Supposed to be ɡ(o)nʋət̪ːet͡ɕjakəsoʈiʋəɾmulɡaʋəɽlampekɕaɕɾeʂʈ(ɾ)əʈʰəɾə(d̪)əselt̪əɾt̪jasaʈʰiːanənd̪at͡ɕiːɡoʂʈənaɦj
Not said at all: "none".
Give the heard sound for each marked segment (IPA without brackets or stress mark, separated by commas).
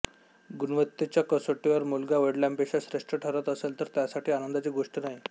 u, ɾ, t̪